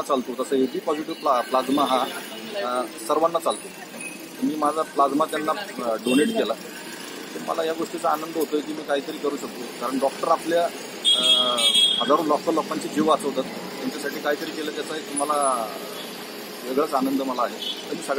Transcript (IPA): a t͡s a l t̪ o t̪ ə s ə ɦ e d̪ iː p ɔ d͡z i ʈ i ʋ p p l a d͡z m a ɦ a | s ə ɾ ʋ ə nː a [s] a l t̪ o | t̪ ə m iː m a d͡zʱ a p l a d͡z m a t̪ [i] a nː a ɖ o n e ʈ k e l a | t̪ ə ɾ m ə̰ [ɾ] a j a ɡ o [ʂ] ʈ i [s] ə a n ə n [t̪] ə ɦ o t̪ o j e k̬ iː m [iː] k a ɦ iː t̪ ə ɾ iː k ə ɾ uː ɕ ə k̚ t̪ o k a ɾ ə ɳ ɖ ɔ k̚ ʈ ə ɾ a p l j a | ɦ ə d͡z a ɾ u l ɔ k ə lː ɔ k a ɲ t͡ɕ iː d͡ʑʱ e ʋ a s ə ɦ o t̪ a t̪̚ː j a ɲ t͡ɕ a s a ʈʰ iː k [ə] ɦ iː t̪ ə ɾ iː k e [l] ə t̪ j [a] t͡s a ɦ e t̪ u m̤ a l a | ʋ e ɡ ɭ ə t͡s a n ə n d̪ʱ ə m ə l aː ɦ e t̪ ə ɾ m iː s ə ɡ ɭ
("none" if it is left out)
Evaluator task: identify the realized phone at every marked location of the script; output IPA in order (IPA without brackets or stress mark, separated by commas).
t͡s, j, l, ʂ, t͡s, d̪, iː, a, l, a